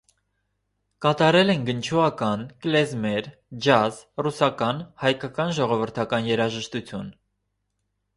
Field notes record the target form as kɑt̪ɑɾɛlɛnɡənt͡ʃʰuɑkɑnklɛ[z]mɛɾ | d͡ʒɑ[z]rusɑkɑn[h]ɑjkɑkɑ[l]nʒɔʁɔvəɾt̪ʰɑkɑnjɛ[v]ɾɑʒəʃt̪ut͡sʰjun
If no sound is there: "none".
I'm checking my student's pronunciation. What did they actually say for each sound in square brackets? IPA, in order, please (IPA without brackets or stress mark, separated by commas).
z, z, h, none, none